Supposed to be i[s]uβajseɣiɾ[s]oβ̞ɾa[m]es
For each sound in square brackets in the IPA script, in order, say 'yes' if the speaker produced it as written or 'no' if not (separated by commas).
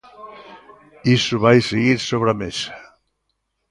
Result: yes, yes, yes